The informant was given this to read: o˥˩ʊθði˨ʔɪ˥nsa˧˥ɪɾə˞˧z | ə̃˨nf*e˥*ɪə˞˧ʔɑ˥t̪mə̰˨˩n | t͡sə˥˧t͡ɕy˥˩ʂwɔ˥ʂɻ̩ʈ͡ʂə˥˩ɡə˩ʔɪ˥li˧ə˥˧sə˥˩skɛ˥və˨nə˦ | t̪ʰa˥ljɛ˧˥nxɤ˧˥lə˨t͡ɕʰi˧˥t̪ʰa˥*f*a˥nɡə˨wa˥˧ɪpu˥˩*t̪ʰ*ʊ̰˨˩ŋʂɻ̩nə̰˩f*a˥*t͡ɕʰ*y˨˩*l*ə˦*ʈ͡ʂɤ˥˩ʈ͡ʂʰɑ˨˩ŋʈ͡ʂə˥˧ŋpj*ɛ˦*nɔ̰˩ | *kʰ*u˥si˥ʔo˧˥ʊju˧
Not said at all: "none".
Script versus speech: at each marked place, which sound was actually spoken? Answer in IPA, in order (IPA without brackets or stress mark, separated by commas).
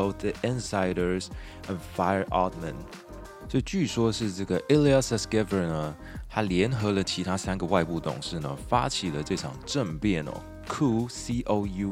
a˥, s, t̪, a˥, i˨˩, ə˦, ɛ˥˩, kʰ